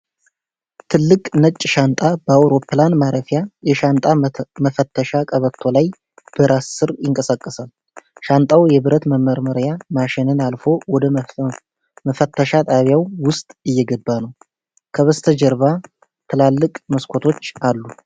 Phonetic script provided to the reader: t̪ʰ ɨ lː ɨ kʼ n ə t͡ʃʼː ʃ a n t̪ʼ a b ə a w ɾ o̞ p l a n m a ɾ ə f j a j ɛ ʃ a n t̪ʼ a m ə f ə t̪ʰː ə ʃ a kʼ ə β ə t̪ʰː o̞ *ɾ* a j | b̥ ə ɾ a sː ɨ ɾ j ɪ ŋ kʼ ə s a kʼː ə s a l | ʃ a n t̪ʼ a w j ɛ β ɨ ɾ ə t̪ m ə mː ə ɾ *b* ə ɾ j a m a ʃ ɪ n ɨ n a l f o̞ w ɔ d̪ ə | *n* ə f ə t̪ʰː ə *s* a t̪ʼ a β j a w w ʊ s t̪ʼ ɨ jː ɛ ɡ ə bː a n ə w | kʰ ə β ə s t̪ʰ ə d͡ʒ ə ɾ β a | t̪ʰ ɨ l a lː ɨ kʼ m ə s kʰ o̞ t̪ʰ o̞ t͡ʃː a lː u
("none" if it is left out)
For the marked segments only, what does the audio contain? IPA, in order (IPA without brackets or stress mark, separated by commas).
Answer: l, m, m, ʃ